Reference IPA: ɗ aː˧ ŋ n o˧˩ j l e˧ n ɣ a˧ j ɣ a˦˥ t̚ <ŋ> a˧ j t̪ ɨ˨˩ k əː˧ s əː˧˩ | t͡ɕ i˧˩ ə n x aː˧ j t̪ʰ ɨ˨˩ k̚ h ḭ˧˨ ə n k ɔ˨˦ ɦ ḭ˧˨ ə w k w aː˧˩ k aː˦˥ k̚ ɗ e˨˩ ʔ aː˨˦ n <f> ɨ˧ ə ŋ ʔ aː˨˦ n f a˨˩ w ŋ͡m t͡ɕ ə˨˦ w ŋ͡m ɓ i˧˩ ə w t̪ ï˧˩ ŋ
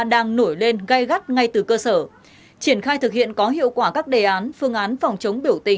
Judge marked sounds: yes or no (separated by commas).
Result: yes, yes